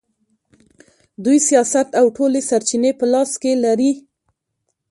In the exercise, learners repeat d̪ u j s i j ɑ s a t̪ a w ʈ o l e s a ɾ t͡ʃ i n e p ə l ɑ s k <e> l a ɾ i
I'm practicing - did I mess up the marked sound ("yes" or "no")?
no